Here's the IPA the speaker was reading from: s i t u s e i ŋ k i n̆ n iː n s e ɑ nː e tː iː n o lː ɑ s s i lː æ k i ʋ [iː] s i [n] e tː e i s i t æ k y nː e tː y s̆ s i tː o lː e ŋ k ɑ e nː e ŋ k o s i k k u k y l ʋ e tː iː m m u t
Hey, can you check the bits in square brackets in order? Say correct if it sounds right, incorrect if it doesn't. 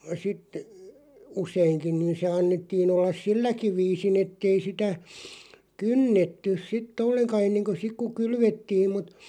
correct, correct

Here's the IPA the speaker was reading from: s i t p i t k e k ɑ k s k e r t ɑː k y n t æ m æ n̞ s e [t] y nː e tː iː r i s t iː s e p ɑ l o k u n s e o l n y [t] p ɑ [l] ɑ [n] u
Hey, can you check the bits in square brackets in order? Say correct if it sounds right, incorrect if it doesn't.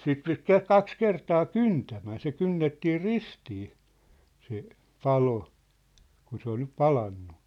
incorrect: k, incorrect: p, correct, incorrect: nː

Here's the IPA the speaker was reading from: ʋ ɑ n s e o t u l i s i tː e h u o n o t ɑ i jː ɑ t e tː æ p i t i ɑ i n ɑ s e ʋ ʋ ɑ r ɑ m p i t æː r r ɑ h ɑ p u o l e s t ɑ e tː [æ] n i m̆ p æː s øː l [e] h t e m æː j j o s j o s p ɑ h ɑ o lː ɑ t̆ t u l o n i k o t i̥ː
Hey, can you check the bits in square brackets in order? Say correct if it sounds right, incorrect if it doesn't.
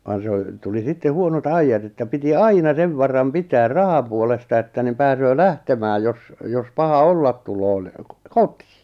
correct, incorrect: æ

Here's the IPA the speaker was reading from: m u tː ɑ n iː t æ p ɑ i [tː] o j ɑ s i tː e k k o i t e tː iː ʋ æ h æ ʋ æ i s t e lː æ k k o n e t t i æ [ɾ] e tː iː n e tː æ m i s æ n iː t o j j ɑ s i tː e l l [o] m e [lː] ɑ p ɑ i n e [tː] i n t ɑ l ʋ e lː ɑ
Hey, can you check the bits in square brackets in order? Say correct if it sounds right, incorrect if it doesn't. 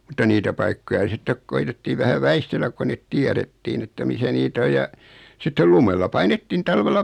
incorrect: kː, correct, incorrect: u, correct, correct

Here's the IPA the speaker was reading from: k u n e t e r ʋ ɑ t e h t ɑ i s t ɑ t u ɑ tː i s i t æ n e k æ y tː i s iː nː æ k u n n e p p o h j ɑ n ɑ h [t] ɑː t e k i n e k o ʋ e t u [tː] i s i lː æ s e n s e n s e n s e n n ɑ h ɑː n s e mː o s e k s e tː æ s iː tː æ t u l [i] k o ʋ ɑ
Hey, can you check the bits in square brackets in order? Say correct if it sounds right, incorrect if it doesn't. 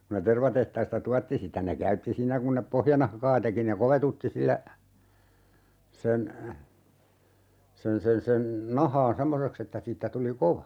incorrect: k, correct, correct

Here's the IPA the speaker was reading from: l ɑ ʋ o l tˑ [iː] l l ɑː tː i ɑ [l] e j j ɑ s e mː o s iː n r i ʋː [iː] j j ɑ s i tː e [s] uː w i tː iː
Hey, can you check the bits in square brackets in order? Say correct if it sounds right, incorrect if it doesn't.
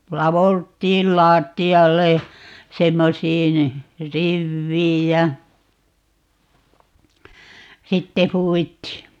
correct, incorrect: lː, correct, incorrect: h

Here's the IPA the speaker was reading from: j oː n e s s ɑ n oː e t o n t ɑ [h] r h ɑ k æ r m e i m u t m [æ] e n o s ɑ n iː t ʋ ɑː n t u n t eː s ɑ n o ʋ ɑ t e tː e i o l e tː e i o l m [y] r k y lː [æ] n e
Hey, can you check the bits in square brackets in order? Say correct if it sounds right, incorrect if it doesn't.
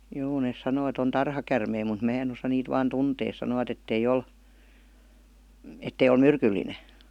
incorrect: none, incorrect: æː, correct, incorrect: i

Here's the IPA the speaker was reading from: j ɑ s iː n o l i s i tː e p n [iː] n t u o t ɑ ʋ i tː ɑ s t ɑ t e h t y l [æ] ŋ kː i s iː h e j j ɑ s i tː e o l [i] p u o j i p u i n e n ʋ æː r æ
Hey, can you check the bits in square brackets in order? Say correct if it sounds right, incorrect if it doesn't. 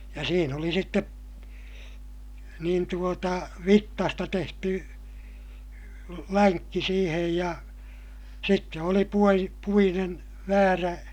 correct, correct, correct

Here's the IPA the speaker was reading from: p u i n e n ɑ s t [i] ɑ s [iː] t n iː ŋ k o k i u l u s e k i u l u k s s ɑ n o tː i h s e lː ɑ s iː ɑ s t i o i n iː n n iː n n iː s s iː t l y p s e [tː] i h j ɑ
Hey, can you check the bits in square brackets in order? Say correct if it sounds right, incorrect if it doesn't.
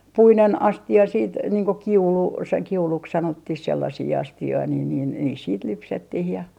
correct, correct, correct

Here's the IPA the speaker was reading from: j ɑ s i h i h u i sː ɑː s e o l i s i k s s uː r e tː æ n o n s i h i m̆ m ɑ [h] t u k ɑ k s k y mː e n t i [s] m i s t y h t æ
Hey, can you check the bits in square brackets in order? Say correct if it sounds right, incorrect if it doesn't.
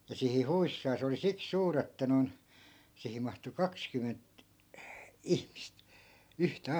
correct, incorrect: h

